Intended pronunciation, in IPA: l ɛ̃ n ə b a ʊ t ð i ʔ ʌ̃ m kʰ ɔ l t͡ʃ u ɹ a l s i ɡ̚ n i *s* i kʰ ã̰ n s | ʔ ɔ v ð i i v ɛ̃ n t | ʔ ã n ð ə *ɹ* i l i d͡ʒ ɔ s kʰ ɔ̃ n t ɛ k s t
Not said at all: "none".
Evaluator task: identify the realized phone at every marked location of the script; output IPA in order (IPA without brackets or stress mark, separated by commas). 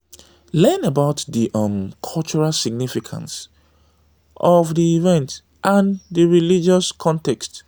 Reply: f, ɹ